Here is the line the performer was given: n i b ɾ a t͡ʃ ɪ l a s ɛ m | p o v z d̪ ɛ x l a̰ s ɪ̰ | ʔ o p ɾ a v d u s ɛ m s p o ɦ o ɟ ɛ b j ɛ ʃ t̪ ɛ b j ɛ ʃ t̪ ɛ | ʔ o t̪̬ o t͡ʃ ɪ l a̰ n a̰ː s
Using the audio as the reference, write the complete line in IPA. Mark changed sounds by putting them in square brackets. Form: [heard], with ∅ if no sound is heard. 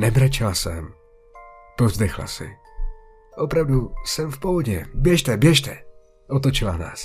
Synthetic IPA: n [ɛ] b ɾ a t͡ʃ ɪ l a s ɛ m | p o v z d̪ ɛ x l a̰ s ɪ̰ | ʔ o p ɾ a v d u s ɛ m [f] p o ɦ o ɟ ɛ b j ɛ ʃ t̪ ɛ b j ɛ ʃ t̪ ɛ | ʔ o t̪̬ o t͡ʃ ɪ l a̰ n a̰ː s